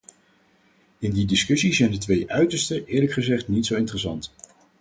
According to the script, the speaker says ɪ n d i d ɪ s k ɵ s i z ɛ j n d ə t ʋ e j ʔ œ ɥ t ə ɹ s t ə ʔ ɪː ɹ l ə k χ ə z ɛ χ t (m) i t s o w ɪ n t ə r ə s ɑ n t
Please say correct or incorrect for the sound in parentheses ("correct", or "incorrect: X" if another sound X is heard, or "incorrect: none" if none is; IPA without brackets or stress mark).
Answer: incorrect: n